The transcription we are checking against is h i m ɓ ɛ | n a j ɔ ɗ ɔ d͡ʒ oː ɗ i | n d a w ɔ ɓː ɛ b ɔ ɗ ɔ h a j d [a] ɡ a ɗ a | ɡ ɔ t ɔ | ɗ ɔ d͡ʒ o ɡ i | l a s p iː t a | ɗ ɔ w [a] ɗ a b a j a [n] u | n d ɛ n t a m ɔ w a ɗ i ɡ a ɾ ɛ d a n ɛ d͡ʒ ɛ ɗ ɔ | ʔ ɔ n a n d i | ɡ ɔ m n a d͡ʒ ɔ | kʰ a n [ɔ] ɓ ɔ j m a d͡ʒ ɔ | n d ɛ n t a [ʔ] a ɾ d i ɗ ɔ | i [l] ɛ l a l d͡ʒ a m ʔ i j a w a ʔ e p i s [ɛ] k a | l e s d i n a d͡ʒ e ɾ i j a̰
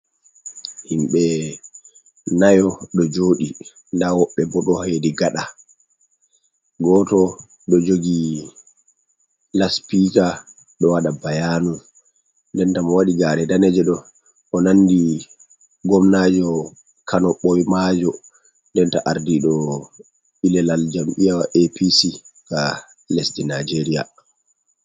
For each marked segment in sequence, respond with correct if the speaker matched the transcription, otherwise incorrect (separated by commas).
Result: incorrect, correct, correct, correct, correct, correct, incorrect